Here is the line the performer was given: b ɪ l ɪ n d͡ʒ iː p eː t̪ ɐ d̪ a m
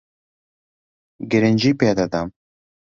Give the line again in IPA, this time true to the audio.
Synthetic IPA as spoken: ɡ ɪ ɾ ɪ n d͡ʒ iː p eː d̪ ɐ d̪ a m